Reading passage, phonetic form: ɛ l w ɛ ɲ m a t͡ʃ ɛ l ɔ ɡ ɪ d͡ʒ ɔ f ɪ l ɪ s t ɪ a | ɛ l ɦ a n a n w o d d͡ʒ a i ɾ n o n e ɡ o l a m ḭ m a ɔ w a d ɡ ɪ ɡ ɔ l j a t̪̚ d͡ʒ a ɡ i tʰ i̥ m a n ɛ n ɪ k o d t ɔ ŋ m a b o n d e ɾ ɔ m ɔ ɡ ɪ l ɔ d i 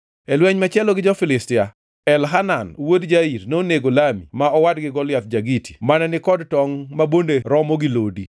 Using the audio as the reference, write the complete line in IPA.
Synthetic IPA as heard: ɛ l w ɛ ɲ m a t͡ʃ ɛ l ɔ ɡ ɪ d͡ʒ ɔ f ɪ l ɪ s t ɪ a | ɛ l ɦ a n a n w o d d͡ʒ a i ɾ n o n e ɡ o l a m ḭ m a ɔ w a d ɡ ɪ ɡ ɔ l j a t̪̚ d͡ʒ a ɡ i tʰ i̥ m a n ɛ n ɪ k ɔ d t ɔ ŋ m a b o n d e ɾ ɔ m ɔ ɡ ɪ l o d i